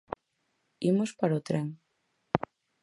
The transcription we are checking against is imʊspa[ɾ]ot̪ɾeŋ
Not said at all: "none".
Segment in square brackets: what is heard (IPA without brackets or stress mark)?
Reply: ɾ